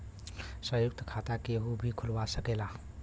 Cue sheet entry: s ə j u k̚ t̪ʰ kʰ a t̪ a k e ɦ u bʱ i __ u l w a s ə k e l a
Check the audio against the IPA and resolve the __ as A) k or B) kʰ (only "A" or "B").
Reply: B